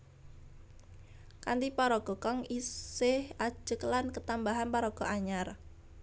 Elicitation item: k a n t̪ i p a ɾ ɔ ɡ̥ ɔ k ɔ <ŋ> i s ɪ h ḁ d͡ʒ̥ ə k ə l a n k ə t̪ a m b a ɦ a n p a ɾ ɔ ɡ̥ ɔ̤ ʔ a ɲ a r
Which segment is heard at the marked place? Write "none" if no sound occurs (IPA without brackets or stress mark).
ŋ